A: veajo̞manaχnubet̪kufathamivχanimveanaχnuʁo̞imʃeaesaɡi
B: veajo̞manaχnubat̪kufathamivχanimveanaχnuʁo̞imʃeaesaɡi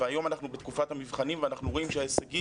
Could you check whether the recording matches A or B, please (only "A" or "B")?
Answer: A